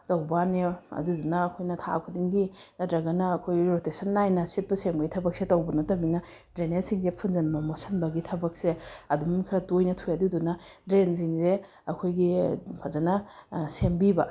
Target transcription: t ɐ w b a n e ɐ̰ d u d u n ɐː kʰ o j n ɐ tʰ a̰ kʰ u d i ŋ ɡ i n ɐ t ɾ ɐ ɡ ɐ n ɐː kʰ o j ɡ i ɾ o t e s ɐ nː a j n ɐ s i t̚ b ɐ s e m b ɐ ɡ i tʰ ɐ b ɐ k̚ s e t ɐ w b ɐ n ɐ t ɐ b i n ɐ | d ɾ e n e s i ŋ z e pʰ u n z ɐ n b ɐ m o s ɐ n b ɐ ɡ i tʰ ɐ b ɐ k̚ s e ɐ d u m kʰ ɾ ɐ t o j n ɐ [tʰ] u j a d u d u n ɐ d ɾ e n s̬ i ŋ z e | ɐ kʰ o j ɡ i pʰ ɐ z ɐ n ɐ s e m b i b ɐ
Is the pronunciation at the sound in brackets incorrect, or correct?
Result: correct